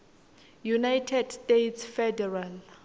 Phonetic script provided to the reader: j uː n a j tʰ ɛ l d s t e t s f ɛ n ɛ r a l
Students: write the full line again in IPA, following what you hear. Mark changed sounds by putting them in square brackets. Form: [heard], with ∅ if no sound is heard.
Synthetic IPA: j [u] n a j tʰ ɛ [∅] d s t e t s f ɛ [d] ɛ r a l